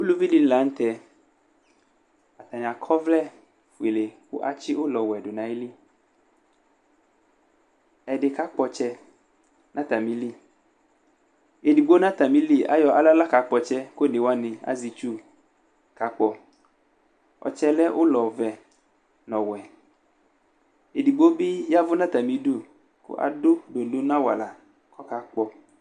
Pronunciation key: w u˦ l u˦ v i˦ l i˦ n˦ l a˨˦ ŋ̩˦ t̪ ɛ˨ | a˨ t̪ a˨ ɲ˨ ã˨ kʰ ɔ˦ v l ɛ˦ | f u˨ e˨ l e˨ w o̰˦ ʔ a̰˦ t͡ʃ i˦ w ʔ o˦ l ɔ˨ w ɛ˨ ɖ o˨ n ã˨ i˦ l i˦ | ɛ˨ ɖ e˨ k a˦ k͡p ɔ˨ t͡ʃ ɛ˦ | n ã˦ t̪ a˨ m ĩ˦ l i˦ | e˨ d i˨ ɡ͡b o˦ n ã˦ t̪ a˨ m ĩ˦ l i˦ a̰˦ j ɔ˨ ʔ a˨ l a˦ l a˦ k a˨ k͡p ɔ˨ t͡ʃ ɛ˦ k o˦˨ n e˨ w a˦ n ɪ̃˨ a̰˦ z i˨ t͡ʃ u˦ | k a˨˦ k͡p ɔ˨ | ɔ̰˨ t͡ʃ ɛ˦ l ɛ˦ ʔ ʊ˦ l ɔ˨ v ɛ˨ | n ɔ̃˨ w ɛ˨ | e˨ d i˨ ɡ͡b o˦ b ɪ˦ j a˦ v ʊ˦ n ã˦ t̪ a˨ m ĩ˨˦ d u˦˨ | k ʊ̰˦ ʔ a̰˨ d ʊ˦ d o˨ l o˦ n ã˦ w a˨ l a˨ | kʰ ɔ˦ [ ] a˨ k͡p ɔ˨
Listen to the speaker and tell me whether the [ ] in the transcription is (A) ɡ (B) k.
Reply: B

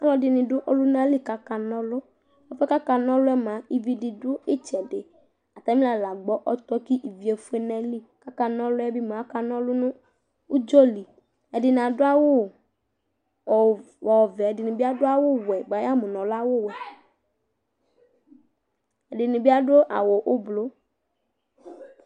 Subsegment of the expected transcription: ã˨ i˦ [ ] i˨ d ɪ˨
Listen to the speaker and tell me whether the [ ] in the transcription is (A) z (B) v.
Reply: B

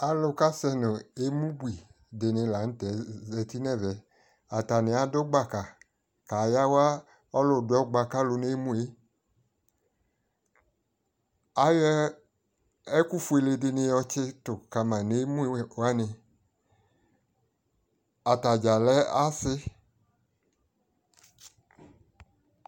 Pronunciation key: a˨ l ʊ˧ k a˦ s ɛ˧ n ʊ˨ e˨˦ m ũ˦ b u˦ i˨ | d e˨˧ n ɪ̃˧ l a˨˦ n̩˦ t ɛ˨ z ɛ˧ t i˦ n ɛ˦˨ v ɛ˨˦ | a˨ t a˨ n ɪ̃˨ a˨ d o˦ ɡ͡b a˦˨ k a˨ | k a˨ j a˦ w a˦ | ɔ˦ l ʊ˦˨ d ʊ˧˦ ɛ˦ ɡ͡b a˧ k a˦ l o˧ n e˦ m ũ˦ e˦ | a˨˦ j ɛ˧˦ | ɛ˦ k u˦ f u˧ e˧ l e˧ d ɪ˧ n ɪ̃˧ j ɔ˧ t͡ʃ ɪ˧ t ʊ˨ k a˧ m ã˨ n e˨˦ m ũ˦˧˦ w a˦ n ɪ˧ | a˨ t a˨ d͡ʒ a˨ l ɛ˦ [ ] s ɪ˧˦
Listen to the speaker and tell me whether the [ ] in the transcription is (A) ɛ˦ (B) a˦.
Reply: B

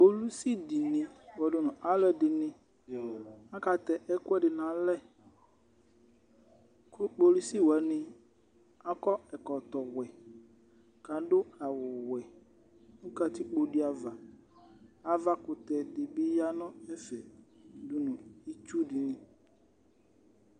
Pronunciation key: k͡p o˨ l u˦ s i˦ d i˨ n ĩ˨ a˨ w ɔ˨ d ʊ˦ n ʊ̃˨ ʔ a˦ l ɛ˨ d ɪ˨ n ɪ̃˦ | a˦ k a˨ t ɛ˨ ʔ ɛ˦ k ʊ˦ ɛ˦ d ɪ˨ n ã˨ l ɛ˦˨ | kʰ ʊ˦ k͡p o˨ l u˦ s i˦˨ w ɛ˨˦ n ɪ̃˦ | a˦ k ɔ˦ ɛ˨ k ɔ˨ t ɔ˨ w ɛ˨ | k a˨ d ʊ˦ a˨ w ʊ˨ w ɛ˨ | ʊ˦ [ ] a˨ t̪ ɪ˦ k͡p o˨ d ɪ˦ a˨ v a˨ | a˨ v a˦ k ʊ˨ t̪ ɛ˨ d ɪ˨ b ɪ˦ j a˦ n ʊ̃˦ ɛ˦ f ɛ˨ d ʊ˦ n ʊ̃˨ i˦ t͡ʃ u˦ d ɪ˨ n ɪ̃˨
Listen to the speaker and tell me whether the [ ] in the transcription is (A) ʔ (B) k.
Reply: B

